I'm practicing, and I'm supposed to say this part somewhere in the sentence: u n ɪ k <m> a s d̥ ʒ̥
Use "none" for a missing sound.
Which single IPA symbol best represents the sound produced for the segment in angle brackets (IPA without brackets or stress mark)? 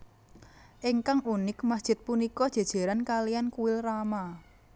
m